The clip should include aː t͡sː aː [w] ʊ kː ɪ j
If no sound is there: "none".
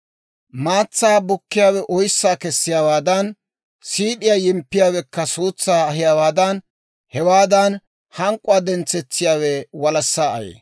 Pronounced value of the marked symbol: b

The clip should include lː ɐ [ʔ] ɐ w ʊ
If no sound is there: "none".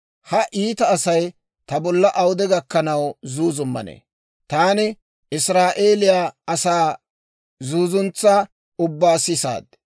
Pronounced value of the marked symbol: ʔ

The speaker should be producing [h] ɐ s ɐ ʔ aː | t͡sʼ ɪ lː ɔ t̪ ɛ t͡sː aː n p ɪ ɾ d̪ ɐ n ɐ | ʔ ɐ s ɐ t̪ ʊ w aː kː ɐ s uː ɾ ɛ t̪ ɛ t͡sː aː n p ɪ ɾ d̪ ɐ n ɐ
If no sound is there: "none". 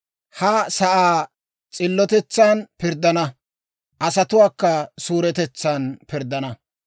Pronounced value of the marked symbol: h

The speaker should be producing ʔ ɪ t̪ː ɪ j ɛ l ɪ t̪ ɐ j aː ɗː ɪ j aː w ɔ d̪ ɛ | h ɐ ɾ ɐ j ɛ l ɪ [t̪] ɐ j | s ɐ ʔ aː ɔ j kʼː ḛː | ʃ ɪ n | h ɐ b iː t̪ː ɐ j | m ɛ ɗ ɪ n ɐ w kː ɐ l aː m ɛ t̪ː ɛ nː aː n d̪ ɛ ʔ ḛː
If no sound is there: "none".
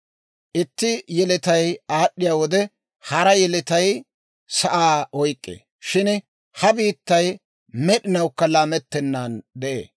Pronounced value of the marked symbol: t̪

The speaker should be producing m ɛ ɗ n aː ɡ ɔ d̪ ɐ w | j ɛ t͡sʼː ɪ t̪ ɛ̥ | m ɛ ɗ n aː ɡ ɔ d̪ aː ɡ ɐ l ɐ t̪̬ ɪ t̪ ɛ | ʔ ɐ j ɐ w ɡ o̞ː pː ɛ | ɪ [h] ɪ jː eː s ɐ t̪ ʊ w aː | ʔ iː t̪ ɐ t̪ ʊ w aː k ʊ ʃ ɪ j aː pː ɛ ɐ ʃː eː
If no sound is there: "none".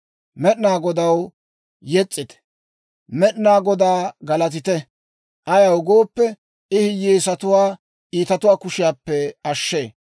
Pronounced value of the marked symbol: h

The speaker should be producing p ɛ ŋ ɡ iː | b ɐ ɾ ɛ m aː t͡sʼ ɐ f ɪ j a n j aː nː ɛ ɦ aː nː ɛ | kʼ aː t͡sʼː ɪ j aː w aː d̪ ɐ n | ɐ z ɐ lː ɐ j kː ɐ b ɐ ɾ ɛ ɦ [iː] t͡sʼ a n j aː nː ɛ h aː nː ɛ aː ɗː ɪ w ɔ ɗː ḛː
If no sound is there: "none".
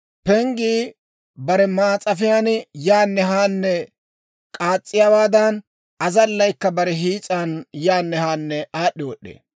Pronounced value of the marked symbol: iː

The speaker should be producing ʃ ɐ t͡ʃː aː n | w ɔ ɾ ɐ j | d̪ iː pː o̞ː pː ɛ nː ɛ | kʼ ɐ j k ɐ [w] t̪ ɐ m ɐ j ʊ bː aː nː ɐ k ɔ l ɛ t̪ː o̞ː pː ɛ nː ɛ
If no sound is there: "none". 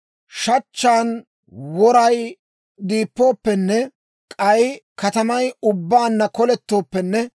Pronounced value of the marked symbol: none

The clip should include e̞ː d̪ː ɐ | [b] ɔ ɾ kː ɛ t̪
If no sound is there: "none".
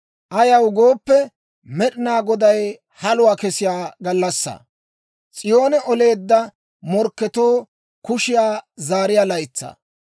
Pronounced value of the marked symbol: m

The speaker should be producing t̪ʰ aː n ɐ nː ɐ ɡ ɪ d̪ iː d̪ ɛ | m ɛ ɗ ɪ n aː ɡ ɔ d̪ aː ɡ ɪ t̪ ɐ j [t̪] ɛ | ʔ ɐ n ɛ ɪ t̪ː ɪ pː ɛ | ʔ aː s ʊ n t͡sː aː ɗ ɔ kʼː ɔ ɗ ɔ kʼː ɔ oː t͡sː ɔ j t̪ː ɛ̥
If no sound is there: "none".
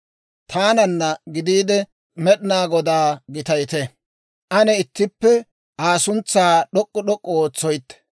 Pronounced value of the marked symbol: t̪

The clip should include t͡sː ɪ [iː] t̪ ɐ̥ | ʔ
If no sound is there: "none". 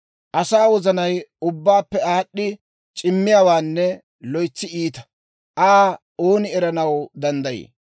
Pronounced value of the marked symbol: iː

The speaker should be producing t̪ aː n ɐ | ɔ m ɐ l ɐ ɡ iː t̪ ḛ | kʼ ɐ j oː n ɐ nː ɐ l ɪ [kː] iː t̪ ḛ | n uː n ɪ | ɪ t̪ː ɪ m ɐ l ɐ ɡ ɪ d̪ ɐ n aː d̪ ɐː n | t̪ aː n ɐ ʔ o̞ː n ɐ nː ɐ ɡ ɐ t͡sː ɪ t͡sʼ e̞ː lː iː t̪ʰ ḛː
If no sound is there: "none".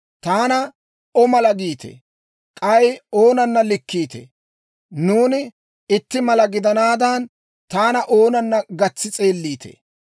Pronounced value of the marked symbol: kː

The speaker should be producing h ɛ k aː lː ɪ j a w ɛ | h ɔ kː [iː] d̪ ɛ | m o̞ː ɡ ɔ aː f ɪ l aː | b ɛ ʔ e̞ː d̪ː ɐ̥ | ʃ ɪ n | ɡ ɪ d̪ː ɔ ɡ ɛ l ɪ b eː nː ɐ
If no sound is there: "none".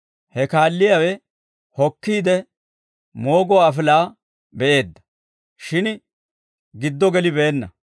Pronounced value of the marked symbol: iː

